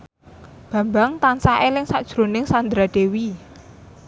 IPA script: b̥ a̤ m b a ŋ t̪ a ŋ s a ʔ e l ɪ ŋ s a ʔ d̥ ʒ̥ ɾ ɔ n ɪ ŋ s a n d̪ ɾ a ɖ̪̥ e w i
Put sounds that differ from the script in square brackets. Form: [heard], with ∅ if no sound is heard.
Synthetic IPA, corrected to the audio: b̥ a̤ m b a ŋ t̪ a [n] s a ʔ e l ɪ ŋ s a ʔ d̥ ʒ̥ ɾ [o] n ɪ ŋ s a n d̪ ɾ a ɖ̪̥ e w i